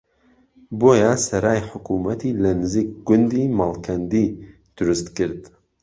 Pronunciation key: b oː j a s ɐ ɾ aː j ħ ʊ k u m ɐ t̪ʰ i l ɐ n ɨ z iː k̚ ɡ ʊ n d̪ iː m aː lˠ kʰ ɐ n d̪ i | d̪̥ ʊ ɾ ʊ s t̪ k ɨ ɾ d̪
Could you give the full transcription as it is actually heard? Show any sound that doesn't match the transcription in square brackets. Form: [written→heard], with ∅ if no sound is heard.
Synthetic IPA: b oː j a s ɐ ɾ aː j ħ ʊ k u m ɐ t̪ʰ i l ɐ n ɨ z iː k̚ ɡ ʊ n d̪ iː m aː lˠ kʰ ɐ n d̪ i | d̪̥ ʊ ɾ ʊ s t̪ k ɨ ɾ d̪